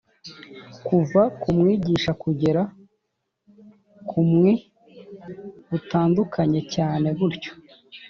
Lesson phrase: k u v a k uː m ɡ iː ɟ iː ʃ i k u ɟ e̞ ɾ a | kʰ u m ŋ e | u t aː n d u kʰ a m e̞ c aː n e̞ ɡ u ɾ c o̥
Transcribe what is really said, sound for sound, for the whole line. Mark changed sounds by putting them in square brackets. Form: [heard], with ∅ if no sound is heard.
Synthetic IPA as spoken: k u v a k [u] m [ŋ] iː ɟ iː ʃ [a] k u ɟ e̞ ɾ a | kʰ u m ŋ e | u t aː n d u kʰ a [ɲ] e̞ c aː n e̞ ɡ u ɾ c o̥